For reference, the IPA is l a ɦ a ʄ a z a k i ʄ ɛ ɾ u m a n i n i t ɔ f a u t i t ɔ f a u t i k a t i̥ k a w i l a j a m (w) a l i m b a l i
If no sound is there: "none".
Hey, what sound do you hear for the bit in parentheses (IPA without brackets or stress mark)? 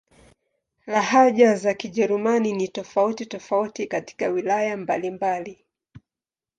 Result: b